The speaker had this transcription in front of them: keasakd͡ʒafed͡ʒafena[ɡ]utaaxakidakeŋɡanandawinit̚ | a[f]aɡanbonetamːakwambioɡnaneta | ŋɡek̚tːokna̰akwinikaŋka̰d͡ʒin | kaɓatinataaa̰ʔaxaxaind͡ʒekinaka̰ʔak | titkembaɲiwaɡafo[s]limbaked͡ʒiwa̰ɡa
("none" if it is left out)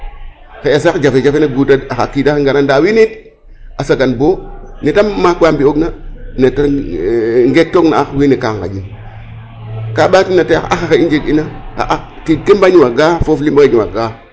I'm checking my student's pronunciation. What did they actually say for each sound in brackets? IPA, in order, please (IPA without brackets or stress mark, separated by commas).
ɡ, s, f